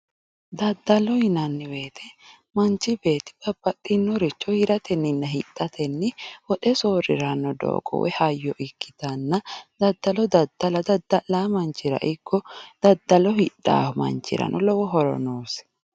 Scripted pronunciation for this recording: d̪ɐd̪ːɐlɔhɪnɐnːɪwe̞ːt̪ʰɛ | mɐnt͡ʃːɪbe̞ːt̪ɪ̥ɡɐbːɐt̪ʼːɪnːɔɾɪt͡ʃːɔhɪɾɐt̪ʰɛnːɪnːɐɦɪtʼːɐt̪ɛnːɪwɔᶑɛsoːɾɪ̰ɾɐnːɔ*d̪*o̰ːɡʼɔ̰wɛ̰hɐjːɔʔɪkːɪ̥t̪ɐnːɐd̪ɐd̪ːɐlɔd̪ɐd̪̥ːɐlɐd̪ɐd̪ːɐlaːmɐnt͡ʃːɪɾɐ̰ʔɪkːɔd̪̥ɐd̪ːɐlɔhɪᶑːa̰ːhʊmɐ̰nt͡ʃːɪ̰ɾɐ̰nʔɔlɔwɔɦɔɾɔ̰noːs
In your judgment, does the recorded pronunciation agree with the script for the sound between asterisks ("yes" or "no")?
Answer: yes